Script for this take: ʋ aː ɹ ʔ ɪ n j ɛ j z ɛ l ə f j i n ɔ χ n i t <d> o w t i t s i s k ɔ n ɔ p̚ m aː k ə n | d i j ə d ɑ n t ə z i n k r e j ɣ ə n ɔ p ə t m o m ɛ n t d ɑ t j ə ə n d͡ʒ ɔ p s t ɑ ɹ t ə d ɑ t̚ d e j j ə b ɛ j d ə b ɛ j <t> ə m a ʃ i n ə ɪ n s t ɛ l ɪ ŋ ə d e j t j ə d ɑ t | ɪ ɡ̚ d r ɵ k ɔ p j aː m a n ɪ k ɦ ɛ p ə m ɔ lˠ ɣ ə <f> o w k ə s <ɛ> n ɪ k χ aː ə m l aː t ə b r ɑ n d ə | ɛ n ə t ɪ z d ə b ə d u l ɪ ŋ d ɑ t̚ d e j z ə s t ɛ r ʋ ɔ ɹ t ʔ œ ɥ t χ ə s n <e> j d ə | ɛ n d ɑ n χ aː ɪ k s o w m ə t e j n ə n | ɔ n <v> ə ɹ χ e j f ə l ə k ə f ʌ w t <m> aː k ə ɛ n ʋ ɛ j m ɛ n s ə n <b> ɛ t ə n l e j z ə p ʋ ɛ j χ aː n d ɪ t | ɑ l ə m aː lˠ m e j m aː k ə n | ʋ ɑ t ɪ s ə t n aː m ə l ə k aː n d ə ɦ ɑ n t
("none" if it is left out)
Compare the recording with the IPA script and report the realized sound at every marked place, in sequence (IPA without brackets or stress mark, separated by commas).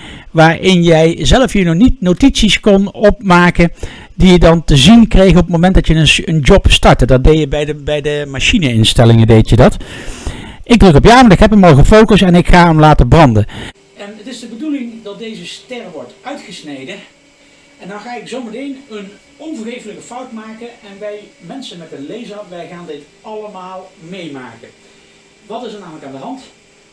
n, d, f, ɛ, e, v, m, m